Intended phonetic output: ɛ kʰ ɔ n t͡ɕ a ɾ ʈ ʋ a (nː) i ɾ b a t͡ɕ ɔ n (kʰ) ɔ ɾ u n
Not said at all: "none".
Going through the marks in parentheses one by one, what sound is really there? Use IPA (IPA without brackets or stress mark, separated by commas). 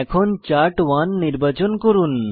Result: nː, k